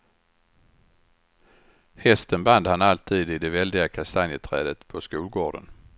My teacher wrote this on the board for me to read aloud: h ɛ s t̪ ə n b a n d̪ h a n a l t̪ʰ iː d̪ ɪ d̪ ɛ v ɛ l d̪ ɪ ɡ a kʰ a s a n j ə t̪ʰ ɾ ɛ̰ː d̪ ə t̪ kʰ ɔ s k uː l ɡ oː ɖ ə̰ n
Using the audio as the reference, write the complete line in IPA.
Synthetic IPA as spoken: h ɛ s t̪ ə n b a n d̪ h a n a l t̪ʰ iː d̪ ɪ d̪ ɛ v ɛ l d̪ ɪ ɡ a kʰ a s a n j ə t̪ʰ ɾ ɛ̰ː d̪ ə t̪ pʰ ɔ s k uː l ɡ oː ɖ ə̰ n